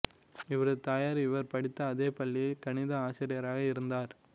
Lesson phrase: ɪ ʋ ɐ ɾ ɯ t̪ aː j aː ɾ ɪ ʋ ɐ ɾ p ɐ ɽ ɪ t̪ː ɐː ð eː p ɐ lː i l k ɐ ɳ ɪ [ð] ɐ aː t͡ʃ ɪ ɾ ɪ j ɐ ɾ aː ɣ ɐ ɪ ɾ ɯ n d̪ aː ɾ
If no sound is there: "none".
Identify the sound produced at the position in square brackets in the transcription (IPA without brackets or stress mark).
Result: ð